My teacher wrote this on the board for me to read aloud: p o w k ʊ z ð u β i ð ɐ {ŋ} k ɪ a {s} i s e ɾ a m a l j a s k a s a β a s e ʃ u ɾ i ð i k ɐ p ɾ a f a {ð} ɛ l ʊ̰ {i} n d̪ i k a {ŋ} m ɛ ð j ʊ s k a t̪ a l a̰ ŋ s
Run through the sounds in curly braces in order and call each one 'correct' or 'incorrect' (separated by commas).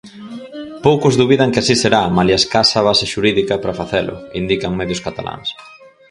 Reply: correct, correct, incorrect, correct, correct